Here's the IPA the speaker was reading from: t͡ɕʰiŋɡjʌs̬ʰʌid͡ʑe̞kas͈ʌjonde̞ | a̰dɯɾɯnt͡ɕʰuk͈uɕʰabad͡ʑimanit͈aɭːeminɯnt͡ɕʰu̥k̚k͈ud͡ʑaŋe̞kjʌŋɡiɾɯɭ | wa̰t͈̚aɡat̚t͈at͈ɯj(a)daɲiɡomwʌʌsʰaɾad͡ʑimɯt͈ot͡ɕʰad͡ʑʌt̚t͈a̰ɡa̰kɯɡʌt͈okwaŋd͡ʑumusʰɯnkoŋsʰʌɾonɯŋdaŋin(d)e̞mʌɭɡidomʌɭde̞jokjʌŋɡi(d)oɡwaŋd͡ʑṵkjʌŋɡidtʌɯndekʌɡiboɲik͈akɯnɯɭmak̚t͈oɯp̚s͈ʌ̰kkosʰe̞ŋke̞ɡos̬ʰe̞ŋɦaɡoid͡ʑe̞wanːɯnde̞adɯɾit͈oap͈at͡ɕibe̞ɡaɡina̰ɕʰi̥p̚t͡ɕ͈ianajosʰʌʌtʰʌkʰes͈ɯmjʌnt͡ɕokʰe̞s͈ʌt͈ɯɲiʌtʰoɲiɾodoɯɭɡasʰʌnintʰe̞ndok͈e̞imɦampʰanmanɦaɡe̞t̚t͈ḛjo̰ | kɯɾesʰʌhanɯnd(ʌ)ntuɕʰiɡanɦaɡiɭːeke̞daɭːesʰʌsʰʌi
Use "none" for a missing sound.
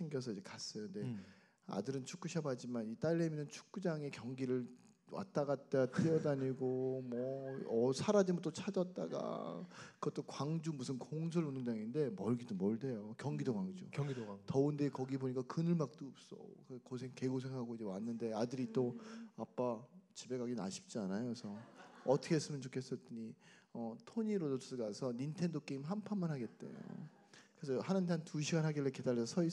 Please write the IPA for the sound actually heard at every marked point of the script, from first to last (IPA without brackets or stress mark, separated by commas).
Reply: ʌ, d, d, a